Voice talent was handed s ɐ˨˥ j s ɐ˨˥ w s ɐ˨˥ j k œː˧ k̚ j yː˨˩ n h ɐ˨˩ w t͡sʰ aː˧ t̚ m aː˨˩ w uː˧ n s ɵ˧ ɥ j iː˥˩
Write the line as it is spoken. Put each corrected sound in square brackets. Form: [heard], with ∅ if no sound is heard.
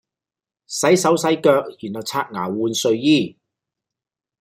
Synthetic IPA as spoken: s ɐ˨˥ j s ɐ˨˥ w s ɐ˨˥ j k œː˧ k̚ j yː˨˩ n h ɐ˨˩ w t͡sʰ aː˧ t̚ [ŋ] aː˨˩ w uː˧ n s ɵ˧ ɥ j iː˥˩